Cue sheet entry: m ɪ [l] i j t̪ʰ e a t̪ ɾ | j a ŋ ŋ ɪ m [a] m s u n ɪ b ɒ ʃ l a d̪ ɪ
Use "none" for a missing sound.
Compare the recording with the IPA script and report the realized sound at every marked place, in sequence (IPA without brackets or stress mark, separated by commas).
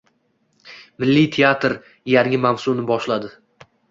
lː, a